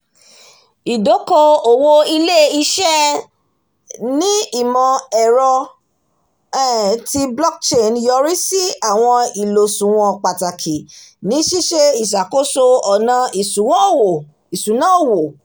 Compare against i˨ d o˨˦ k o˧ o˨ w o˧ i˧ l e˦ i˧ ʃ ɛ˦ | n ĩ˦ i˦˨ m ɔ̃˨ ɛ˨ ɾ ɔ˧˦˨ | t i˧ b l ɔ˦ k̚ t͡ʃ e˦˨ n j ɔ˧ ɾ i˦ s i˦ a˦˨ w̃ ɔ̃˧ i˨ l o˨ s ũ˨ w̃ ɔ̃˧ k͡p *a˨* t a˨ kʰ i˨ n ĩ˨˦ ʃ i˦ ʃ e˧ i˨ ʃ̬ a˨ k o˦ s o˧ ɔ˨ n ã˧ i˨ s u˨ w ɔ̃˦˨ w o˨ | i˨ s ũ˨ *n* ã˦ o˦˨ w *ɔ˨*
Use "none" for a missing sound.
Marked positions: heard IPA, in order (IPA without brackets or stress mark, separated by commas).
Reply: a˨, n, o˨